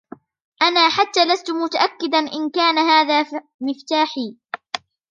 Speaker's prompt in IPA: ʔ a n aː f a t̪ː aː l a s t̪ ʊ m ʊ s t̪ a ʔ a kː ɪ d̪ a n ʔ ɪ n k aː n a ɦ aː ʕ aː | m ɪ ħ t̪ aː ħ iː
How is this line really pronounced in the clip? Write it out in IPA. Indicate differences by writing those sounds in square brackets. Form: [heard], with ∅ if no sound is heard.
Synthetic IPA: ʔ a n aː [ħ] a t̪ː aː l a s t̪ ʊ m ʊ [∅] t̪ a ʔ a kː ɪ d̪ a n ʔ ɪ n k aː n a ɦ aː [ð] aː | m ɪ [f] t̪ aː ħ iː